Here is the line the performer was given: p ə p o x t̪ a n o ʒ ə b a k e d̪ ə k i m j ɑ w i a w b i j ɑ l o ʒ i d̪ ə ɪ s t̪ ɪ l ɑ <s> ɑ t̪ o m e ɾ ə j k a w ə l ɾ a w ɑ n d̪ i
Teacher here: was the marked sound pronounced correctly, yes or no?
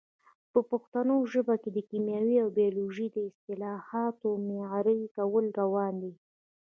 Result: no